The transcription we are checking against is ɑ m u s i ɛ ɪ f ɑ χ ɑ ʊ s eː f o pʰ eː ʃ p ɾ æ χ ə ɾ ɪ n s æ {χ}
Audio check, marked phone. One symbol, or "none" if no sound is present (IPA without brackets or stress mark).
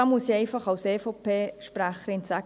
none